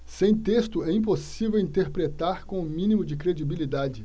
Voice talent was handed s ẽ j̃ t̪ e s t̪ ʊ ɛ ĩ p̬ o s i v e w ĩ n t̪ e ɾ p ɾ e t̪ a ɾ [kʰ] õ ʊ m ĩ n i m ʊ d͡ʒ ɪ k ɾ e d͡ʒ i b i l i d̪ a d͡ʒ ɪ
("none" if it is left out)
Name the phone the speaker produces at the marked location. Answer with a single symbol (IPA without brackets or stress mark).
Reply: k